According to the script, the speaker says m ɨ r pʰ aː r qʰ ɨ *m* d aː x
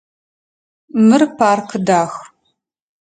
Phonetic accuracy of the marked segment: incorrect: none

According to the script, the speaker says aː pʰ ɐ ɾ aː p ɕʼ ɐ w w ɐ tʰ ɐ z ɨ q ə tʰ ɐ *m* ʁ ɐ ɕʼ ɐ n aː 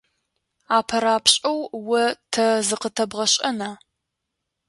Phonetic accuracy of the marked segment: incorrect: b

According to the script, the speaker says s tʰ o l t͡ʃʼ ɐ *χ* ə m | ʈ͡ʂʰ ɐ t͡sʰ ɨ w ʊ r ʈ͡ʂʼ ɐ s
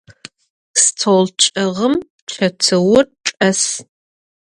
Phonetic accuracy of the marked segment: incorrect: ʁ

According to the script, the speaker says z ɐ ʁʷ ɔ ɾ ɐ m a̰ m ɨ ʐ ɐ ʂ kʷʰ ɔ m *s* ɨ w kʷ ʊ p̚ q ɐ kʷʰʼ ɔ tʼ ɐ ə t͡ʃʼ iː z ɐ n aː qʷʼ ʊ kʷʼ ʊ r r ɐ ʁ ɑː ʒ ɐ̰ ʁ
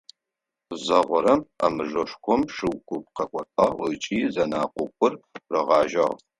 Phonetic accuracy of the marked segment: incorrect: ʂ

